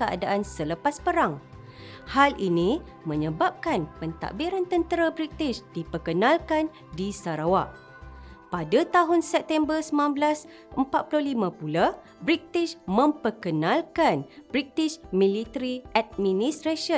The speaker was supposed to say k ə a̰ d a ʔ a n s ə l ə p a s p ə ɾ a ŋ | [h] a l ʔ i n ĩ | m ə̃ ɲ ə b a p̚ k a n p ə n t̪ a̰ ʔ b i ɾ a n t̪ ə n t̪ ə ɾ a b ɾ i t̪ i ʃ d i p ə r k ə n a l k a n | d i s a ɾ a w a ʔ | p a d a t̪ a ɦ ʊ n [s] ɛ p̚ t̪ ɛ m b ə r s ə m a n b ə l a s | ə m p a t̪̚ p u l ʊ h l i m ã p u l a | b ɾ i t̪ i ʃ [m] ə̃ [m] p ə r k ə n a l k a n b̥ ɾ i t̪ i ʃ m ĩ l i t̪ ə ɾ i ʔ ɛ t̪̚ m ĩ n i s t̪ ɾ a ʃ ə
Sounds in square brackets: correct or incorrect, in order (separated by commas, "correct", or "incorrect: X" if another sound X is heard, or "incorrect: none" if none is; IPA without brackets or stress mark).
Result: correct, correct, correct, correct